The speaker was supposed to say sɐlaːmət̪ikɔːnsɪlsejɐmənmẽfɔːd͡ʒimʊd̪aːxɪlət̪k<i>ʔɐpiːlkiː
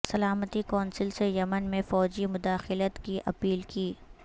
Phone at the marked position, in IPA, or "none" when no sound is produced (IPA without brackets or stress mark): i